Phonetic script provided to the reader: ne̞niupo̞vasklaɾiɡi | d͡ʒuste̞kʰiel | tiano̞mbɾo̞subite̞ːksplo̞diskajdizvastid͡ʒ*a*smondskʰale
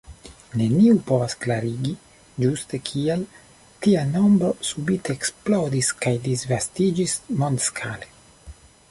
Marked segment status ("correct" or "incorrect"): incorrect